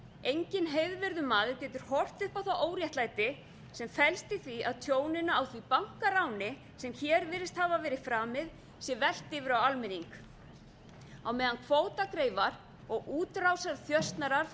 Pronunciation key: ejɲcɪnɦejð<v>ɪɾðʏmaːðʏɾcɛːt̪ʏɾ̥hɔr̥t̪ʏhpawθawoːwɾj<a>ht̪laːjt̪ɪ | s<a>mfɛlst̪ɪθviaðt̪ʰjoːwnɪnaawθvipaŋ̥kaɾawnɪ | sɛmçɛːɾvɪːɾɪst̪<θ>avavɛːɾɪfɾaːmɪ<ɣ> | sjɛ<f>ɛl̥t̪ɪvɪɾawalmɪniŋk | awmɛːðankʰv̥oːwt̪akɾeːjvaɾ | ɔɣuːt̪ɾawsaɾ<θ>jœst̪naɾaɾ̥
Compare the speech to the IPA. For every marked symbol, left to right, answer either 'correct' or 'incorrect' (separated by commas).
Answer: correct, incorrect, incorrect, incorrect, incorrect, incorrect, correct